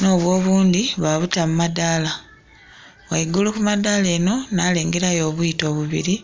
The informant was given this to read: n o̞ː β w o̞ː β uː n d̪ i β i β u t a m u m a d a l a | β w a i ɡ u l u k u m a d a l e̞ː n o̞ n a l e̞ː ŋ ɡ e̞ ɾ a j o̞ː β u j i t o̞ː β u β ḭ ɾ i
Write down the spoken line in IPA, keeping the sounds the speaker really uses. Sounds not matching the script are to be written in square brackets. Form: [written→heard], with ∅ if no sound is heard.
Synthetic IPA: n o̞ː β w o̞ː β uː n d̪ i β [i→a] β u t a m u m a d a l a | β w a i ɡ u l u k u m a d a l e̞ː n o̞ n a l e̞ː ŋ ɡ e̞ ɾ a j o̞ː β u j i t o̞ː β u β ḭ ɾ i